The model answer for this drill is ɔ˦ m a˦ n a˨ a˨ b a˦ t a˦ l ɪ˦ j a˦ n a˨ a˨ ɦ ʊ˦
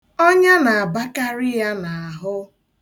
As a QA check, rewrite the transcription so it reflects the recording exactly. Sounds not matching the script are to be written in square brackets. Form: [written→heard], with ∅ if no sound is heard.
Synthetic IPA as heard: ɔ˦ [m→ɲ] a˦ n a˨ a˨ b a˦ [t→k] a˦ [l→ɾ] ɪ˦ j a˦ n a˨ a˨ ɦ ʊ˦